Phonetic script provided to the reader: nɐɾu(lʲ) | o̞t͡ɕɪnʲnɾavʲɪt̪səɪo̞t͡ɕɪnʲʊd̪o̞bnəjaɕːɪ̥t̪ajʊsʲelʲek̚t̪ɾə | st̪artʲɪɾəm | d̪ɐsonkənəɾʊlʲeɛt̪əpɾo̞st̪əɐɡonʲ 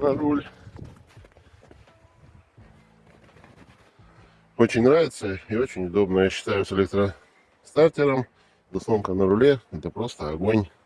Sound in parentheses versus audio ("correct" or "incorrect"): correct